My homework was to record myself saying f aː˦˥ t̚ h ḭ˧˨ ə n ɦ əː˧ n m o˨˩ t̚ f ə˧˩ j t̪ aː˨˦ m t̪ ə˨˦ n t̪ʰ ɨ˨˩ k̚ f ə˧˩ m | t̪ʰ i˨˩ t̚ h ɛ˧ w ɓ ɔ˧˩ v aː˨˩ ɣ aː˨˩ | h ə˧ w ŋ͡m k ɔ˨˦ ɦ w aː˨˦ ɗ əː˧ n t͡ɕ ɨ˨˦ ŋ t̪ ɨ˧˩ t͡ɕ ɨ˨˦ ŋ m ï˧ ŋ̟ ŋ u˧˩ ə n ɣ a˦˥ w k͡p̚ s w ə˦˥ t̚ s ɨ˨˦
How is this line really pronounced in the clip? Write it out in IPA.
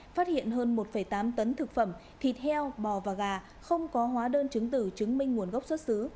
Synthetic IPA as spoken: f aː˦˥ t̚ h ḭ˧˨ ə n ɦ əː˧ n m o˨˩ t̚ f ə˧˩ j t̪ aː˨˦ m t̪ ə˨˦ n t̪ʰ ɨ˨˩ k̚ f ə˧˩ m | t̪ʰ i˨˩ t̚ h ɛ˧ w ɓ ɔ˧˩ v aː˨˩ ɣ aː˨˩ | x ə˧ w ŋ͡m k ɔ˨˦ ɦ w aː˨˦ ɗ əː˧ n t͡ɕ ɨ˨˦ ŋ t̪ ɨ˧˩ t͡ɕ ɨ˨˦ ŋ m ï˧ ŋ̟ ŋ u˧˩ ə n ɣ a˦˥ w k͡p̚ s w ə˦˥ t̚ s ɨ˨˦